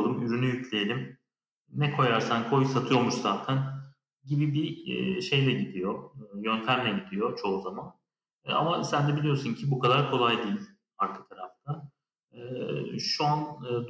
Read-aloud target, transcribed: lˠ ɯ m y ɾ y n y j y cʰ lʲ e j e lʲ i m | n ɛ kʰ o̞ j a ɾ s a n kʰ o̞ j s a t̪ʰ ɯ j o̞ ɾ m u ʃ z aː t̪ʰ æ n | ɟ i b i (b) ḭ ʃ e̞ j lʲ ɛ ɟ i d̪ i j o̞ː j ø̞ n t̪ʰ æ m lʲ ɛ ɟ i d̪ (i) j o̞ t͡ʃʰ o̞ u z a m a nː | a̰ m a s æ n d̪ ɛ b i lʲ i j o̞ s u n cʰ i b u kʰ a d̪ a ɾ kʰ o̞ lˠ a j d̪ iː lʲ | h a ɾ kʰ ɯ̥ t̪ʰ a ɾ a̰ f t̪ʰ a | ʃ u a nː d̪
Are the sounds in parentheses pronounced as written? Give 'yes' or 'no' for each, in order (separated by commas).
yes, yes